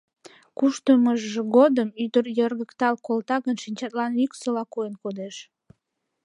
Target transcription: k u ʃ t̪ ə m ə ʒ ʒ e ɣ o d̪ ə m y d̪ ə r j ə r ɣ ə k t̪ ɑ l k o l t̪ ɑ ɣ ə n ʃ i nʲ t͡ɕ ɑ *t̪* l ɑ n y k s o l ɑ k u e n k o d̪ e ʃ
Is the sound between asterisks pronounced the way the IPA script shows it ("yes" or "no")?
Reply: yes